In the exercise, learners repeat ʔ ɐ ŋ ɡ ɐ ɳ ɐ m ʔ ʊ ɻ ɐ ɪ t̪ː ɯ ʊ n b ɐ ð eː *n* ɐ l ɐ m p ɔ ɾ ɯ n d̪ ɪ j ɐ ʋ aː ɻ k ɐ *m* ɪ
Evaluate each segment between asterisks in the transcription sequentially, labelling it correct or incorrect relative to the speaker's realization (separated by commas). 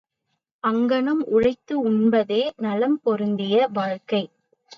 correct, incorrect